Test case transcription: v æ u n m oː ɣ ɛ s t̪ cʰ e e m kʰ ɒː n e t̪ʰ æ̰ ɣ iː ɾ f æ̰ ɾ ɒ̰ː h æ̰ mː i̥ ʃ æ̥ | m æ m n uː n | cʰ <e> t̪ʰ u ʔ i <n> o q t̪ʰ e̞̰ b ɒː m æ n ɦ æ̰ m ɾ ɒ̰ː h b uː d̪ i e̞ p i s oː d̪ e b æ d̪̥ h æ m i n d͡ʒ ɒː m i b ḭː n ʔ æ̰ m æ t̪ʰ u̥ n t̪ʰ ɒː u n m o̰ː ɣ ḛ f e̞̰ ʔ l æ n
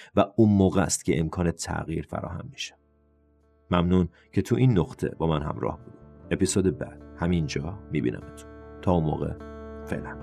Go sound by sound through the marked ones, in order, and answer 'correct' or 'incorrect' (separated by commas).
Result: correct, incorrect